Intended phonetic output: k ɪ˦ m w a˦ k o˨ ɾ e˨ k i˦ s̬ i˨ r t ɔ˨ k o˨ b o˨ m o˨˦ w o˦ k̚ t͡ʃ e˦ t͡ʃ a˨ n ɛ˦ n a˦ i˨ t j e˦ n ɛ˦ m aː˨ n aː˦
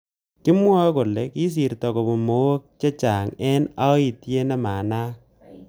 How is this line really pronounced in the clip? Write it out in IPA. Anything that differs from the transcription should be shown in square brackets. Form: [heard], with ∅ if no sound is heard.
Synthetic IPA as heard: k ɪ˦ m w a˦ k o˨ [l] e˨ k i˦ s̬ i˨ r t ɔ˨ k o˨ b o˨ m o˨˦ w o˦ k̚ t͡ʃ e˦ t͡ʃ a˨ [ŋ] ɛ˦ n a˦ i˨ t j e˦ n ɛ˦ m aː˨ n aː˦